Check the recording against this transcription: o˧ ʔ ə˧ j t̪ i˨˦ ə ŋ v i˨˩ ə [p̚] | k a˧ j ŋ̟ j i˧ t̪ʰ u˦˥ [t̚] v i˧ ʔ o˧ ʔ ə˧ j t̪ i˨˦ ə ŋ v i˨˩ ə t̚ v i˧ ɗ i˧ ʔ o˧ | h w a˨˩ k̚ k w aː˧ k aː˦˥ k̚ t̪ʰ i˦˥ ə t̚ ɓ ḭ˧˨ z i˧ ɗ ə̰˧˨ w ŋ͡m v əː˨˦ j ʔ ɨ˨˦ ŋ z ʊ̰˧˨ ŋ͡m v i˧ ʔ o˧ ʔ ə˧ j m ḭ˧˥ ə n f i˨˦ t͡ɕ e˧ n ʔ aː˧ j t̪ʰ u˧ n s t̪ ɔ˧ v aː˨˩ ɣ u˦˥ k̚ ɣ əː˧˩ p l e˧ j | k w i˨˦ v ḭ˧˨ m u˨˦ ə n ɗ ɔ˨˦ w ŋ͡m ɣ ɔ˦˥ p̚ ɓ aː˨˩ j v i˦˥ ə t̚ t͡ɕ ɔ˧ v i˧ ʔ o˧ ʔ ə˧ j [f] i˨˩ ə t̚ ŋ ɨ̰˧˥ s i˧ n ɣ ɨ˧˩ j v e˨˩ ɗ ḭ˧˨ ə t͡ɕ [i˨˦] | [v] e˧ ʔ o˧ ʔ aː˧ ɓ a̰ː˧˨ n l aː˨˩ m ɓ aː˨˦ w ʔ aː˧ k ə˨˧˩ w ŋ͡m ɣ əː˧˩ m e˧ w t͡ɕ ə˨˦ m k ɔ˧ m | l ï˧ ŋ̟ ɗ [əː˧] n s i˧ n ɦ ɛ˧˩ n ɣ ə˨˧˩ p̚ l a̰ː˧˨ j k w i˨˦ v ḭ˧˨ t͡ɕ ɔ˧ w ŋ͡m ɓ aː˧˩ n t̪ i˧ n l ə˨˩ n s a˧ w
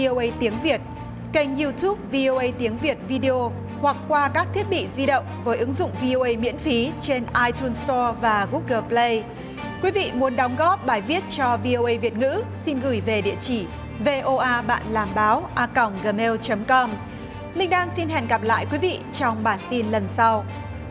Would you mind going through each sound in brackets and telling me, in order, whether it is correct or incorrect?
incorrect: t̚, incorrect: p̚, incorrect: v, incorrect: i˧˩, correct, incorrect: aː˧

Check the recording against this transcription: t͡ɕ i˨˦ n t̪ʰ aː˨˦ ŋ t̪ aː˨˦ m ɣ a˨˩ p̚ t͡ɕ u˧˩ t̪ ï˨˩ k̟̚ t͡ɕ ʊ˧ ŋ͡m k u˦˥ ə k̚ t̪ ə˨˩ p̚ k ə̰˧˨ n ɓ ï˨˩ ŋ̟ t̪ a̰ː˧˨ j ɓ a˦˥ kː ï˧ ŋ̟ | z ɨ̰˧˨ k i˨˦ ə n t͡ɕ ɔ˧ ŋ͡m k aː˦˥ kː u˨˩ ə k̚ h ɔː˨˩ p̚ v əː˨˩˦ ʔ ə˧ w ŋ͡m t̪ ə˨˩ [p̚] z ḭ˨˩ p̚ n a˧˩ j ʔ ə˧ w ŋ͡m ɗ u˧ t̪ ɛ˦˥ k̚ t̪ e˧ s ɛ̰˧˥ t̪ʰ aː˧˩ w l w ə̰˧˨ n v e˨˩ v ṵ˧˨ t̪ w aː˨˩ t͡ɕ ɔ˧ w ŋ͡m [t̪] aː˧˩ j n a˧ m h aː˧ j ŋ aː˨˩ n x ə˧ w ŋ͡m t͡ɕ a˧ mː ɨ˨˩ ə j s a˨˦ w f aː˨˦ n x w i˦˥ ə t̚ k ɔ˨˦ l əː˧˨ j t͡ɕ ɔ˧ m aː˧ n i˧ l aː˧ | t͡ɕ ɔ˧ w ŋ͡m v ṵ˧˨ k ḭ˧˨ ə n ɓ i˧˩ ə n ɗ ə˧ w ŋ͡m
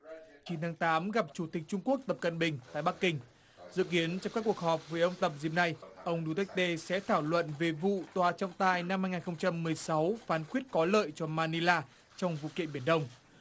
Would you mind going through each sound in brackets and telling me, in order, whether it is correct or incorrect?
correct, correct

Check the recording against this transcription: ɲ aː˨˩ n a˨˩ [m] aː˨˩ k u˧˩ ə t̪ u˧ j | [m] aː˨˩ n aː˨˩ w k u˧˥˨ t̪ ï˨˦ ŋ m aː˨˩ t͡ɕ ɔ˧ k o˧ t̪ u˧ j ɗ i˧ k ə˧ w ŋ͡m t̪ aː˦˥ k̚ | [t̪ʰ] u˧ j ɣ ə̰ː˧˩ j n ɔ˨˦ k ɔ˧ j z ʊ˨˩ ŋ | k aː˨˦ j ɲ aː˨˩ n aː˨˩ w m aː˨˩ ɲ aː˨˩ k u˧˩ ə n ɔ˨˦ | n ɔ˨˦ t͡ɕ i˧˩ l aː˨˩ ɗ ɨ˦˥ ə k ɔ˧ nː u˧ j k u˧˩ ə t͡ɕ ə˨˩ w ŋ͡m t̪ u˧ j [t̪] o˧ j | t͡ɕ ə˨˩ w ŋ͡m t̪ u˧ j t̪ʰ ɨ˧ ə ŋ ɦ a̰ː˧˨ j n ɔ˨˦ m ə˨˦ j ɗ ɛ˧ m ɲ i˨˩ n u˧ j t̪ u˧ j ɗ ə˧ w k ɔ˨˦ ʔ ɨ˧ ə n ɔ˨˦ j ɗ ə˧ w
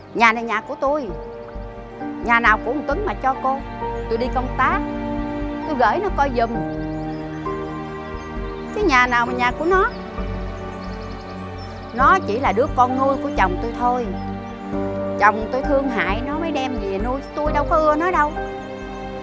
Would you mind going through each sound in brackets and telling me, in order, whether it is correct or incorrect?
incorrect: ɲ, incorrect: ɲ, incorrect: t̪, incorrect: t̪ʰ

